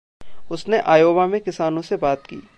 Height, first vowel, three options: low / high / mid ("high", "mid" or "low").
high